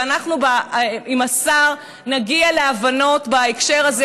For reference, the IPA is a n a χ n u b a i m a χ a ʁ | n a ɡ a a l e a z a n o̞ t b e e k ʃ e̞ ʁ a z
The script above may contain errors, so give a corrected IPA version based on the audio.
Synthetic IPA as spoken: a n a χ n u b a i m a s a ʁ | n a ɡ i a l e a v a n o̞ t b a e k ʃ e̞ ʁ a z